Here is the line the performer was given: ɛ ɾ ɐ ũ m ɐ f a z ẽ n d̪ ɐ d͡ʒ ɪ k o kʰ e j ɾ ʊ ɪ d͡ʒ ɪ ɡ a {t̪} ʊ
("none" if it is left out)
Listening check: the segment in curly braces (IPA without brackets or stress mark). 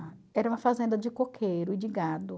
d̪